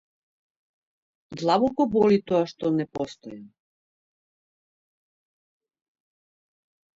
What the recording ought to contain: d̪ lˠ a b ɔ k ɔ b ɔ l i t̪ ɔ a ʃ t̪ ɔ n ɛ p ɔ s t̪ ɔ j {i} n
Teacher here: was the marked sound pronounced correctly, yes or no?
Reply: no